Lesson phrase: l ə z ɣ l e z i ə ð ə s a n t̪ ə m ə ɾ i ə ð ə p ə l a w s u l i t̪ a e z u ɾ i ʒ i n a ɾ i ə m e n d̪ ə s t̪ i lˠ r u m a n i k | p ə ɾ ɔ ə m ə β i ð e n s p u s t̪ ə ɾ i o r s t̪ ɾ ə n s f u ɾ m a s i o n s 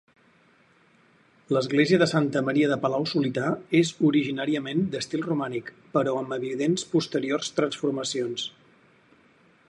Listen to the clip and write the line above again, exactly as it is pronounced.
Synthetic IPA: l ə z ɣ l e z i ə ð ə s a n t̪ ə m ə ɾ i ə ð ə p ə l a w s u l i t̪ a e z u ɾ i ʒ i n a ɾ i ə m e n d̪ ə s t̪ i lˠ r u m a n i k | p ə ɾ ɔ ə m ə β i ð e n s p u s t̪ ə ɾ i o r s t̪ ɾ ə n s f u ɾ m ə s i o n s